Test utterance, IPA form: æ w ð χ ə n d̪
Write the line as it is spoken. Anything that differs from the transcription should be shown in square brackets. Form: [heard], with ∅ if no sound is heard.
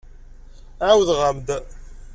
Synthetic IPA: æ w ð [ʁ] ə [m] d̪